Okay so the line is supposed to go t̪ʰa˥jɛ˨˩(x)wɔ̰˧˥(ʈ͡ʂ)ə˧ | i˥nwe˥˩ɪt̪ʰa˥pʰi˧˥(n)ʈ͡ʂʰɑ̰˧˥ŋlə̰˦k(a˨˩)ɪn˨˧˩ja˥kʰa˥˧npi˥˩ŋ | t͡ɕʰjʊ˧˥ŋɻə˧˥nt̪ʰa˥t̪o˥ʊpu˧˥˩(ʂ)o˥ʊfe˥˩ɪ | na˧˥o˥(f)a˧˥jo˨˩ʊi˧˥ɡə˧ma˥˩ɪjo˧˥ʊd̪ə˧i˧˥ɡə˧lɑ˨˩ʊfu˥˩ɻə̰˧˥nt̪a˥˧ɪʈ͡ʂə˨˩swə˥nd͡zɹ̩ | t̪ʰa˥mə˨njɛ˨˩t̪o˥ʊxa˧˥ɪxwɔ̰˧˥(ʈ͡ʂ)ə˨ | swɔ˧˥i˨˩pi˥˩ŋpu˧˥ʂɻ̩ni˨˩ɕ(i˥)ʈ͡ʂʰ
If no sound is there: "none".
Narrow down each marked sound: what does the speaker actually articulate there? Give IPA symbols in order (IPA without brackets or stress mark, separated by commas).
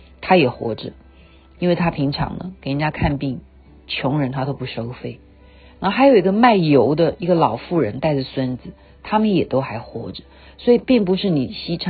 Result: x, ʈ͡ʂ, ŋ, e˨˩, ʂ, x, ʈ͡ʂ, i˥